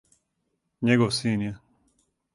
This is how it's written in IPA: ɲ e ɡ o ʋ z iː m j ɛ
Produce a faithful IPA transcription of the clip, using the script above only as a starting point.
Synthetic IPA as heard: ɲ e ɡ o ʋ s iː n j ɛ